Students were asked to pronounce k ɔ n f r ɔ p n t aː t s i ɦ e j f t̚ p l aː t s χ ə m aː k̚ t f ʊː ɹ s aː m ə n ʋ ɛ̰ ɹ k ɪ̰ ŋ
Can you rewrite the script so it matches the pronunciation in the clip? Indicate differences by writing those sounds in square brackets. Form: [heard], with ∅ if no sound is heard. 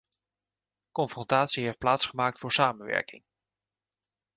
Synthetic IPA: k ɔ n f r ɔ [∅] n t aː t s i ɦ e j f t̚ p l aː t s χ ə m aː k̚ t f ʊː ɹ s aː m ə n ʋ ɛ̰ ɹ k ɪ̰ ŋ